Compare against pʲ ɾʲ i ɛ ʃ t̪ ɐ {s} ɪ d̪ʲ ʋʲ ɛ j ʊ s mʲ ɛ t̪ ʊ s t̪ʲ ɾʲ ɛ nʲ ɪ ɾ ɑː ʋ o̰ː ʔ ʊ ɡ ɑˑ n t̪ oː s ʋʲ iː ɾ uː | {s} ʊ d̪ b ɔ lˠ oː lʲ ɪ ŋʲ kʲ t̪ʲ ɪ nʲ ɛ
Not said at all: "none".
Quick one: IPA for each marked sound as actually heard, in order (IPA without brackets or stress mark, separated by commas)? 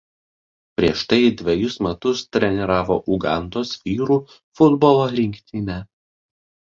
none, f